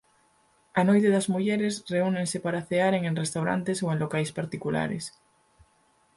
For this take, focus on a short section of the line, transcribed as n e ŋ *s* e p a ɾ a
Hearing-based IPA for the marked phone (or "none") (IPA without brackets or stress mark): s